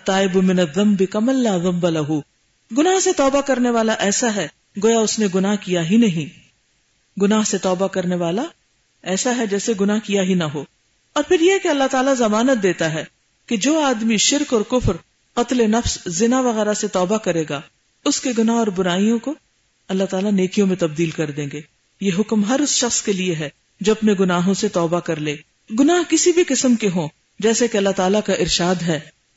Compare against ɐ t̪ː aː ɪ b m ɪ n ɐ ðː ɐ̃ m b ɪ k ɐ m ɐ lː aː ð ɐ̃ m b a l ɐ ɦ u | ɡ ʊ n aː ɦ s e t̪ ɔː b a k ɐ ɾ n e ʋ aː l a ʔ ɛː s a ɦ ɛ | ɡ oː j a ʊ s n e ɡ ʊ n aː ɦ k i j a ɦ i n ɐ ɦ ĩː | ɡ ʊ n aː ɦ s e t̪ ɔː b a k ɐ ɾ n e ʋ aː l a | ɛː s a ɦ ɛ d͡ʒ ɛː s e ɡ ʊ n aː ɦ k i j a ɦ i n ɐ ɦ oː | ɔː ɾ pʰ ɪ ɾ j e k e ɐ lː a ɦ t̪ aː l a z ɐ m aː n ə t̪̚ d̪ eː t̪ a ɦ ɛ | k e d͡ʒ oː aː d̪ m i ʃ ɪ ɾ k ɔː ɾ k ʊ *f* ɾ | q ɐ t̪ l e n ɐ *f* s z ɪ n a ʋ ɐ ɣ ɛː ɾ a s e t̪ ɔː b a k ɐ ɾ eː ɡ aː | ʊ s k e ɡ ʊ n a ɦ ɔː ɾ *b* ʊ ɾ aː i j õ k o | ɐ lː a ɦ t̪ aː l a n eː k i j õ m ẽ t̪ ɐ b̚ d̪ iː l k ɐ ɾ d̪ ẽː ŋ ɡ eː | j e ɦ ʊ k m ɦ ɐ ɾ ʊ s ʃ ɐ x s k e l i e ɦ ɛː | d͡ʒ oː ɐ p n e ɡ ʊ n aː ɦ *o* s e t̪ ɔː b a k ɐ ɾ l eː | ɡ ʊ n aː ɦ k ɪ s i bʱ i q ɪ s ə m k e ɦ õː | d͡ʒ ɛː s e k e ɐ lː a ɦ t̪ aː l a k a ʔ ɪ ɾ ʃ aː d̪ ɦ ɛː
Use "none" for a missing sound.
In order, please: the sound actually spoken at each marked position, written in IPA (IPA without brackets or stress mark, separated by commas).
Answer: f, f, b, õ